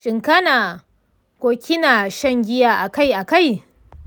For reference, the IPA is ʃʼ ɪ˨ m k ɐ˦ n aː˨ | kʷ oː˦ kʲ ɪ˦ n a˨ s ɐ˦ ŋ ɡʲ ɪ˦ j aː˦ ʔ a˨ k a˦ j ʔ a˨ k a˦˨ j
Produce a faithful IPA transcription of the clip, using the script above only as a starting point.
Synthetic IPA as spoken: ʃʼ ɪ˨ ŋ k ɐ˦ n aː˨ | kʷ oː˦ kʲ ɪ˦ n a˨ ʃ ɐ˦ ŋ ɡʲ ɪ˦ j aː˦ ʔ a˨ k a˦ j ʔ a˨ k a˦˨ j